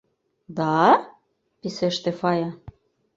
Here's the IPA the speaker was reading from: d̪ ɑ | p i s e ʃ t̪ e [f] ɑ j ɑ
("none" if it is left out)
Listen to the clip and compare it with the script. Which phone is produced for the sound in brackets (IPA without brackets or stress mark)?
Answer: f